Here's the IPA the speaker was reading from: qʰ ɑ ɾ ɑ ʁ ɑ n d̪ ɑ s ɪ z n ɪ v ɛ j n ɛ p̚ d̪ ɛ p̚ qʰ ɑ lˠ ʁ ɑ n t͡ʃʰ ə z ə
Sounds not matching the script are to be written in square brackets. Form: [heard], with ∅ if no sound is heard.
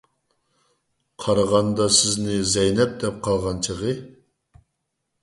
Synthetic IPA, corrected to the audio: qʰ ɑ ɾ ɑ ʁ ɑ n d̪ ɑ s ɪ z n ɪ [z] ɛ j n ɛ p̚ d̪ ɛ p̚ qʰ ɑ lˠ ʁ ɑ n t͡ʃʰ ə [ʁ] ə

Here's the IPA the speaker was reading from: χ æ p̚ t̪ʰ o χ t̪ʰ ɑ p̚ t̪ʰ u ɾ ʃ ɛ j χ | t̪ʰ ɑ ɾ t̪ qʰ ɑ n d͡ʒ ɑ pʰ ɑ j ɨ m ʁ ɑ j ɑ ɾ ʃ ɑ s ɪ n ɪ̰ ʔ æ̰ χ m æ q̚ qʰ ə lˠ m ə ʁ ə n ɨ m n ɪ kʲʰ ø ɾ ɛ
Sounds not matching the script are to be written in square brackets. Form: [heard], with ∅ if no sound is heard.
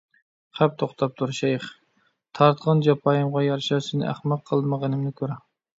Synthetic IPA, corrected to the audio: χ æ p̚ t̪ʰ o χ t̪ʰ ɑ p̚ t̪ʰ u ɾ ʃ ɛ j χ | t̪ʰ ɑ ɾ t̪ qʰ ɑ n d͡ʒ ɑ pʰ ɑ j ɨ m ʁ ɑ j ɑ ɾ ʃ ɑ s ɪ n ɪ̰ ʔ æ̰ χ m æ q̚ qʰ ə lˠ m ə ʁ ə n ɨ m n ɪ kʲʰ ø ɾ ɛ

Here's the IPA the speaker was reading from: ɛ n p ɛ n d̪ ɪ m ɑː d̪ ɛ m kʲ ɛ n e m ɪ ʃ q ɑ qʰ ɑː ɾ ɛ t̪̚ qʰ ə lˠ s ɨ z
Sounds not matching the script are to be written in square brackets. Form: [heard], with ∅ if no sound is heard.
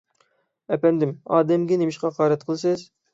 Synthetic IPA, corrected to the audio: ɛ [∅] p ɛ n d̪ ɪ m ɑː d̪ ɛ m [ɡʲ] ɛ n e m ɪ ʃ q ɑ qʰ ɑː ɾ ɛ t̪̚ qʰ ə lˠ s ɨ z

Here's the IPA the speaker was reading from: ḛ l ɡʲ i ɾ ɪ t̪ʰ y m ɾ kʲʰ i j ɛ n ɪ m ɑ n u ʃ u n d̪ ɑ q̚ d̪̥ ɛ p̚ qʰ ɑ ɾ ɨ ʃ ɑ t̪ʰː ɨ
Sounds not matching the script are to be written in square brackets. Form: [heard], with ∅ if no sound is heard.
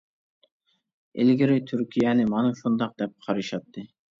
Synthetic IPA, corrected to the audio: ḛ l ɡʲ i ɾ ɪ t̪ʰ y [∅] ɾ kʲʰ i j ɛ n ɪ m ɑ n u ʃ u n d̪ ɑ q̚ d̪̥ ɛ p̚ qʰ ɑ ɾ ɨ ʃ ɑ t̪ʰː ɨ

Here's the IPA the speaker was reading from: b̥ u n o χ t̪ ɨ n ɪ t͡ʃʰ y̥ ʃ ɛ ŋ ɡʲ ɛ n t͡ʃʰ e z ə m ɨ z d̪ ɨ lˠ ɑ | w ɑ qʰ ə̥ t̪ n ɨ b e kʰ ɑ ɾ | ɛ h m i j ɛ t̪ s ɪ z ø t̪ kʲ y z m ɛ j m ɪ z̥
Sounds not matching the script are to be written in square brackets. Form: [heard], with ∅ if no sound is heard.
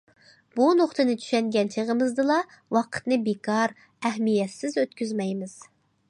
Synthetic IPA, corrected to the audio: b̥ u n o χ t̪ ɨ n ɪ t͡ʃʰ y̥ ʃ ɛ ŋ ɡʲ ɛ n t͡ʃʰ e [ʁ] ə m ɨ z d̪ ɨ lˠ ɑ | w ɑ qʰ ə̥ t̪ n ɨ b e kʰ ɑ ɾ | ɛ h m i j ɛ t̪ s ɪ z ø t̪ kʲ y z m ɛ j m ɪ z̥

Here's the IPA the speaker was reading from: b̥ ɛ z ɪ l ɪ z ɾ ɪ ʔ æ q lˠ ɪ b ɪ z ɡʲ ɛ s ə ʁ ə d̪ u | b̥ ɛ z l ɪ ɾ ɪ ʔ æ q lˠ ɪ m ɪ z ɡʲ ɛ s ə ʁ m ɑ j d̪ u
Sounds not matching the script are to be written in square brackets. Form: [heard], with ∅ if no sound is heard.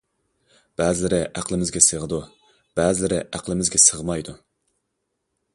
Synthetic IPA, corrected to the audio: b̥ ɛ z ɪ l ɪ [∅] ɾ ɪ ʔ æ q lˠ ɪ [m] ɪ z ɡʲ ɛ s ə ʁ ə d̪ u | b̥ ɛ z l ɪ ɾ ɪ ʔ æ q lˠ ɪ m ɪ z ɡʲ ɛ s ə ʁ m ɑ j d̪ u

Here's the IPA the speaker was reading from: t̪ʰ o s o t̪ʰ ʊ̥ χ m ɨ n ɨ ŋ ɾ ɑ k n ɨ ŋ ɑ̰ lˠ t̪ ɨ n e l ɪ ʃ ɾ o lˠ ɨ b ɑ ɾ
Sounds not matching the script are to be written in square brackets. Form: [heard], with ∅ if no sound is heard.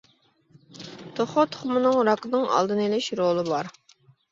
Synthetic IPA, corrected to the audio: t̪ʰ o [χ] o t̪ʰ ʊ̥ χ m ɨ n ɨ ŋ ɾ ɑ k n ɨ ŋ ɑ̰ lˠ [d̪] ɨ n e l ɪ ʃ ɾ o lˠ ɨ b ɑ ɾ

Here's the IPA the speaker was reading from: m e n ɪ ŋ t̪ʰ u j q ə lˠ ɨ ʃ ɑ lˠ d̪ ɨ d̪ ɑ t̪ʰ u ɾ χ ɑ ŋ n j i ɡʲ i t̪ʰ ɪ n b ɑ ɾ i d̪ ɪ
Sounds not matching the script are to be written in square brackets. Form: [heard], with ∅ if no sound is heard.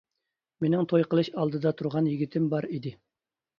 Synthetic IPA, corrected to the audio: m e n ɪ ŋ t̪ʰ [o] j q ə lˠ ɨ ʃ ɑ lˠ d̪ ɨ d̪ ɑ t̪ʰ u ɾ [ʁ] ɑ [∅] n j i ɡʲ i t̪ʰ ɪ [m] b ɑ ɾ i d̪ ɪ

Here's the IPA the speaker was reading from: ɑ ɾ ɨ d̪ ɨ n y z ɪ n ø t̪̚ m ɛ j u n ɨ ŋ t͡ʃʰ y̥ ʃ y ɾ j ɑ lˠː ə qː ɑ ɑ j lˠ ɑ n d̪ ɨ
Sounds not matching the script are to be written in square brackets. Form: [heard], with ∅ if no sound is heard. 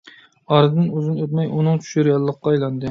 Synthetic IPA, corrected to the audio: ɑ ɾ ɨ d̪ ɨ n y z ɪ n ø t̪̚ m ɛ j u n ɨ ŋ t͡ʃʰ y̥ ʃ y ɾ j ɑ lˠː ə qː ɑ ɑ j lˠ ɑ n d̪ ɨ

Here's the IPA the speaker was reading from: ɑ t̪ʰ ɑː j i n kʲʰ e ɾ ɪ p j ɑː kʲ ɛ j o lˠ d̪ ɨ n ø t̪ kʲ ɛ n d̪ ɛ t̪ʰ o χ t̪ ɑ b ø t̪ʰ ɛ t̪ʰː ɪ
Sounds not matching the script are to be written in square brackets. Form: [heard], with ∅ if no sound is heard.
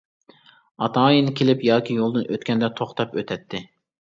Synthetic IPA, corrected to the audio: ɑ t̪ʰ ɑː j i n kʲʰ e [l] ɪ p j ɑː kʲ [i] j o lˠ d̪ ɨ n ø t̪ kʲ ɛ n d̪ ɛ t̪ʰ o χ t̪ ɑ [p] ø t̪ʰ ɛ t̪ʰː ɪ

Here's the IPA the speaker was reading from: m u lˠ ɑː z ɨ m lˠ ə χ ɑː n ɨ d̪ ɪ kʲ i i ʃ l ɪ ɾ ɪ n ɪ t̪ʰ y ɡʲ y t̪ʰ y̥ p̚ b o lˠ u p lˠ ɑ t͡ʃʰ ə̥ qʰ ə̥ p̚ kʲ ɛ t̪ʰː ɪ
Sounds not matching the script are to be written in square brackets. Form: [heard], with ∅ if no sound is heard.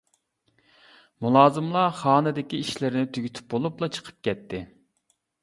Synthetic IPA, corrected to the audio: m u lˠ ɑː z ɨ m lˠ [ɑ] χ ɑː n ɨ d̪ ɪ kʲ i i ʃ l ɪ ɾ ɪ n ɪ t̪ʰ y ɡʲ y t̪ʰ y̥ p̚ b o lˠ u p lˠ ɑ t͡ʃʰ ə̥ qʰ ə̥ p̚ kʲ ɛ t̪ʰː ɪ

